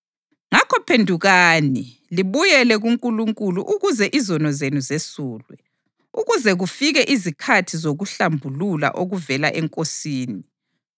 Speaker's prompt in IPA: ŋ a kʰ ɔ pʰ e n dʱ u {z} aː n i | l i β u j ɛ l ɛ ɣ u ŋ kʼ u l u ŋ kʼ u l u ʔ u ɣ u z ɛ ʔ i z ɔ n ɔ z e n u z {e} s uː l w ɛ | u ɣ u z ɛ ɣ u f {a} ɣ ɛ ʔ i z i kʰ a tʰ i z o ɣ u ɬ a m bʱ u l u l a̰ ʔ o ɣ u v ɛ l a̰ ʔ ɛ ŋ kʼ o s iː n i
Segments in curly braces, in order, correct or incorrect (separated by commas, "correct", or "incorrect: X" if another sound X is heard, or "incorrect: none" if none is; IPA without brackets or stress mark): incorrect: ɣ, correct, incorrect: i